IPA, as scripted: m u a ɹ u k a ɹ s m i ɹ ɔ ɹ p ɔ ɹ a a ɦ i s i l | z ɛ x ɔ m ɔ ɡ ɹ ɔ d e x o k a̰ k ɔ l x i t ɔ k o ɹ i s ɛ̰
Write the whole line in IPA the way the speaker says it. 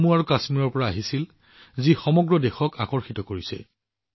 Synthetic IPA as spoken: m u a ɹ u k a s m i ɹ ɔ ɹ p ɔ ɹ a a ɦ i s i l | z i x ɔ m ɔ ɡ ɹ ɔ d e x ɔ k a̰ k ɔ ɹ x i t ɔ k o ɹ i s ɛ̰